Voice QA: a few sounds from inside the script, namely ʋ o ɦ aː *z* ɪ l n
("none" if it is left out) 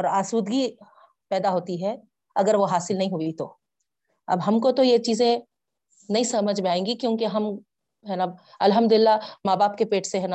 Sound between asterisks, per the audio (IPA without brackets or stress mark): s